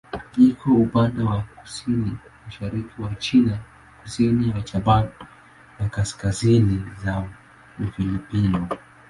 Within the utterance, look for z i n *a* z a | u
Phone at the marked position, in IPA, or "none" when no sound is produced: i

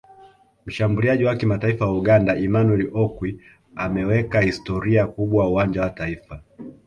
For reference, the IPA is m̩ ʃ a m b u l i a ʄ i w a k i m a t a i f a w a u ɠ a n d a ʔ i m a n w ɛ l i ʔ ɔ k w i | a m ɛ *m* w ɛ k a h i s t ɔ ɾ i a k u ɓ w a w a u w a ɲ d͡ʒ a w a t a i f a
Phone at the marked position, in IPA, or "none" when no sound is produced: none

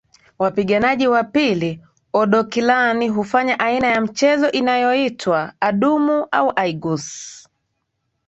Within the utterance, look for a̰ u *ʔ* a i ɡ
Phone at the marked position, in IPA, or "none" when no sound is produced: ʔ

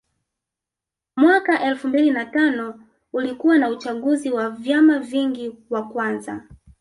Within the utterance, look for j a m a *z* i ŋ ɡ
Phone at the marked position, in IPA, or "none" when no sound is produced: v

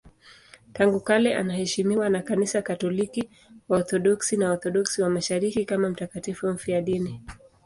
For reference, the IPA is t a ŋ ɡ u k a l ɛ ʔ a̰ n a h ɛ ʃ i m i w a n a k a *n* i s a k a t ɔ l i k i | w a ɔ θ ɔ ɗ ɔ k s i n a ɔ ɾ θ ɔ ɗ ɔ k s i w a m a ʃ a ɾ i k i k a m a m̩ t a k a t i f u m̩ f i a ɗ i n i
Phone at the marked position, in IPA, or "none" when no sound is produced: n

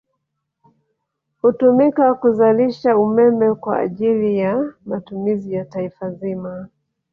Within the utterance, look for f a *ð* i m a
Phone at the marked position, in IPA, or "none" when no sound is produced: z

